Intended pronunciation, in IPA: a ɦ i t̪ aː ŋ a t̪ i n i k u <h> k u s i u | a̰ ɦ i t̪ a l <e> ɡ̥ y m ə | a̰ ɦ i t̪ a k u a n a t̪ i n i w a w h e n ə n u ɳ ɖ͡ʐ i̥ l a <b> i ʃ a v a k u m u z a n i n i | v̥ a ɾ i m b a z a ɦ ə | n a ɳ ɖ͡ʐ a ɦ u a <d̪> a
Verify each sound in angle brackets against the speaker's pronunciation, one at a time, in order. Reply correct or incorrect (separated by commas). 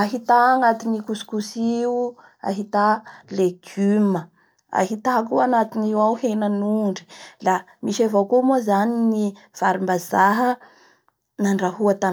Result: incorrect, correct, incorrect, incorrect